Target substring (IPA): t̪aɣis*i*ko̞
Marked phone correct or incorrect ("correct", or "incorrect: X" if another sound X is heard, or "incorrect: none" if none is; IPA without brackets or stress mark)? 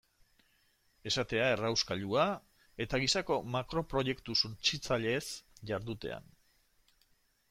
incorrect: a